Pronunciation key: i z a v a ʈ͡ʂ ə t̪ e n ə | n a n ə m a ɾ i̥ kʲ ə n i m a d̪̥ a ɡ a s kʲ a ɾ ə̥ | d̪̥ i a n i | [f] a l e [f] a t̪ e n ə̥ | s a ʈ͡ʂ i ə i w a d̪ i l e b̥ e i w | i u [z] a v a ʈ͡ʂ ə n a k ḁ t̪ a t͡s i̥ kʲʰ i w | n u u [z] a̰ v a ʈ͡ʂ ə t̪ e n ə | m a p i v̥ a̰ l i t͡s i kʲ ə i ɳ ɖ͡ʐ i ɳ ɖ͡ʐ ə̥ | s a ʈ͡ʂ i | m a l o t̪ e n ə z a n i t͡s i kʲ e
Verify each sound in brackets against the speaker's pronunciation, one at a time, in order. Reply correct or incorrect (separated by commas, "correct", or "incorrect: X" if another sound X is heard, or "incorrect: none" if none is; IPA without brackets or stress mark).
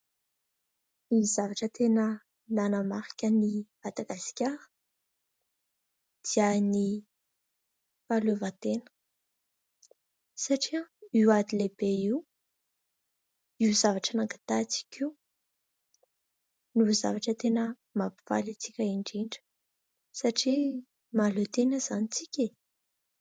correct, incorrect: v, correct, correct